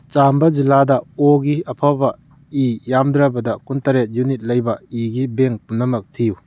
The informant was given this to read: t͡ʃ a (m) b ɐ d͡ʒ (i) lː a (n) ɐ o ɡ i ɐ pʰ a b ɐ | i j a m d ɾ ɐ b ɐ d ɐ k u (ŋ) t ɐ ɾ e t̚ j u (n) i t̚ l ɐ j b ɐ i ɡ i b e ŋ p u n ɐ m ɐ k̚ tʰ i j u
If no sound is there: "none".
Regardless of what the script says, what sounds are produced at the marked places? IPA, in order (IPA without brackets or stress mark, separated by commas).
m, i, d, n, n